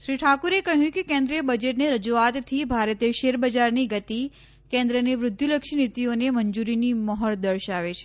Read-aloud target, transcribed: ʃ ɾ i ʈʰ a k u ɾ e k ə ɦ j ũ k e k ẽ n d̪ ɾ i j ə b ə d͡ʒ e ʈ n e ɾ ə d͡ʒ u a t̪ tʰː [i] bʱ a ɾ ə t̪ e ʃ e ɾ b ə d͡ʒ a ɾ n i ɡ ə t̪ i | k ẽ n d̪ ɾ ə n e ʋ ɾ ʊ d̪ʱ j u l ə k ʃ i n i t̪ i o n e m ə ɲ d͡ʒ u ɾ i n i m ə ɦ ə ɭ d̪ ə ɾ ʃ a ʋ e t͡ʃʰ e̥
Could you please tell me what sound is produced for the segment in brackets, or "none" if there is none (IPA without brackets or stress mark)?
i